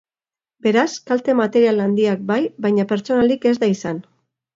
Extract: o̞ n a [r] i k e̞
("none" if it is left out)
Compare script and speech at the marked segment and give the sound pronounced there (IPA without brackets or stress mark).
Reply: l